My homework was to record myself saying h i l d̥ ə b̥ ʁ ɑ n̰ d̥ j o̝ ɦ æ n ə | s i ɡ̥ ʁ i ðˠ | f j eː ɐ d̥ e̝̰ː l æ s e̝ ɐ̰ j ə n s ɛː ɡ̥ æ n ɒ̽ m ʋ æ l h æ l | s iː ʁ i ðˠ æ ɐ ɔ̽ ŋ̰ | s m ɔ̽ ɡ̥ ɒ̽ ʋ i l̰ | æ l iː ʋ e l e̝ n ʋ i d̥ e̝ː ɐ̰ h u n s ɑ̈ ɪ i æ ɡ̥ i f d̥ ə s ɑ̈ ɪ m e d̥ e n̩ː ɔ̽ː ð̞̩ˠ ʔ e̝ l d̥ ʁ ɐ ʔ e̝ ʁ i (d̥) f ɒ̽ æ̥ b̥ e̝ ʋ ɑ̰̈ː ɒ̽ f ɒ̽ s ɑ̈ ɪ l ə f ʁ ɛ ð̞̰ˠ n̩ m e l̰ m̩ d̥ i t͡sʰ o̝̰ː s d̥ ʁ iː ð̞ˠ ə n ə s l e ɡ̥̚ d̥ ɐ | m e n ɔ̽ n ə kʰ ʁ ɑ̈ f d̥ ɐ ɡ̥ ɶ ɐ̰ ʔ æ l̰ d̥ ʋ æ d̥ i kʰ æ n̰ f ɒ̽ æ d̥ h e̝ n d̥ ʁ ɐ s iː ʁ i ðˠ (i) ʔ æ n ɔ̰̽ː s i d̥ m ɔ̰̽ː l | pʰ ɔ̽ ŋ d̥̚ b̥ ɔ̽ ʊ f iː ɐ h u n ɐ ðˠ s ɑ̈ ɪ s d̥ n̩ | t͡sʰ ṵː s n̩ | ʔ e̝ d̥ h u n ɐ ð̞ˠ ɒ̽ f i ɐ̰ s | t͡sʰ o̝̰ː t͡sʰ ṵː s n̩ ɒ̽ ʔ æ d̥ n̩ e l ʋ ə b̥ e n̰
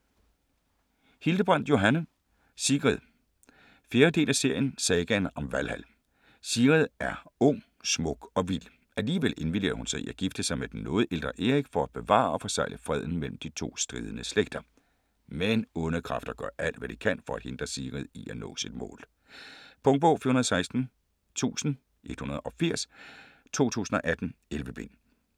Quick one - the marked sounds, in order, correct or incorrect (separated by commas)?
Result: incorrect, correct